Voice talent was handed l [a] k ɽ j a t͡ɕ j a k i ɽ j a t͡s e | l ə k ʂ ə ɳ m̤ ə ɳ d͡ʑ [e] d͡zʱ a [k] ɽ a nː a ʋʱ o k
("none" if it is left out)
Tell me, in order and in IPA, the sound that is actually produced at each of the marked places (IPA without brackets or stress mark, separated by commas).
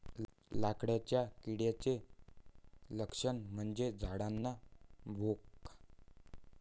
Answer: a, e, none